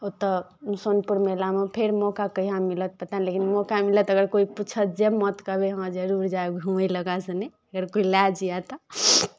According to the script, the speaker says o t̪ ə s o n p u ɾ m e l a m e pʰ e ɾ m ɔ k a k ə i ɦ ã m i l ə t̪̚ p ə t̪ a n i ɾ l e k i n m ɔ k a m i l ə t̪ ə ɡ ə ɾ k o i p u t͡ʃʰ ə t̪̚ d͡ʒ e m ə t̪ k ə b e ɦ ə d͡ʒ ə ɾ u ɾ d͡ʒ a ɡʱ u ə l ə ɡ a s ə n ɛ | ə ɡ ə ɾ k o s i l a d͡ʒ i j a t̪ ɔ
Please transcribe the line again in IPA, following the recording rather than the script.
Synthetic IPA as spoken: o t̪ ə s o n p u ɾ m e l a m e pʰ e ɾ m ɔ k a k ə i ɦ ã m i l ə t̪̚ p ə t̪ a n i l e k i n m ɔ k a m i l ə t̪ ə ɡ ə ɾ k o i p u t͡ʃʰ ə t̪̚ d͡ʒ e m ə t̪ k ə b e ɦ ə d͡ʒ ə ɾ u ɾ d͡ʒ a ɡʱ u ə l ə ɡ a s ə n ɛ | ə ɡ ə ɾ k o i l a d͡ʒ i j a t̪ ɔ